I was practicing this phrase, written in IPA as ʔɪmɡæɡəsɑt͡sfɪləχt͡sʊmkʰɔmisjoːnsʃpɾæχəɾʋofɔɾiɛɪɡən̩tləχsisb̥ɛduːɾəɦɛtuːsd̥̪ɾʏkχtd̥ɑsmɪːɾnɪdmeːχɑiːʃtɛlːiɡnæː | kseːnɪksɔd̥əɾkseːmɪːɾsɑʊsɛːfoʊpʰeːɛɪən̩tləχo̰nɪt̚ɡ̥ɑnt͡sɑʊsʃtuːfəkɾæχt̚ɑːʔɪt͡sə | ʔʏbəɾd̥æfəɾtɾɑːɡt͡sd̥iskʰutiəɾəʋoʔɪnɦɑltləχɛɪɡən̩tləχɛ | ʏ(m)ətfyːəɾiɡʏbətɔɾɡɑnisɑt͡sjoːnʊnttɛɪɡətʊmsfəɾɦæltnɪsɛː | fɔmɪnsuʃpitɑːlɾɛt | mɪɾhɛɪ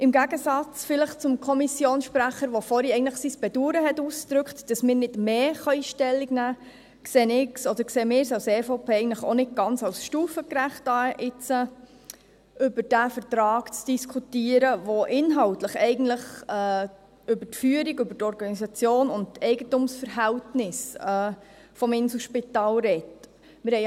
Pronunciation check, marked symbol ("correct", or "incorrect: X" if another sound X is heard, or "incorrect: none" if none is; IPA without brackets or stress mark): incorrect: b